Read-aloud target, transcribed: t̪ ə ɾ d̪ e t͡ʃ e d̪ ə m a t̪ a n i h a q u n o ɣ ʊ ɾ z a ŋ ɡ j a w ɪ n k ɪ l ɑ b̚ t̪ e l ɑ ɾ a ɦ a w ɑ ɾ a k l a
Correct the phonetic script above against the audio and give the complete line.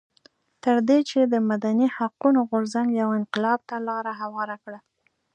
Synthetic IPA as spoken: t̪ ə ɾ d̪ e t͡ʃ e d̪ ə m a d̪ a n i h a q u n o ɣ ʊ ɾ z a ŋ ɡ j a w ɪ n q ɪ l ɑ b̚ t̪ a l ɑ ɾ a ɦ a w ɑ ɾ a k ɽ a